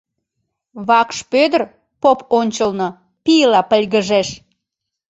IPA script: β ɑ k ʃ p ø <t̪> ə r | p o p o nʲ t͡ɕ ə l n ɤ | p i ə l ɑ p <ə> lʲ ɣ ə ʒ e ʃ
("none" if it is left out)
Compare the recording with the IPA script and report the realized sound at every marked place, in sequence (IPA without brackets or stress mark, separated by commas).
d̪, ə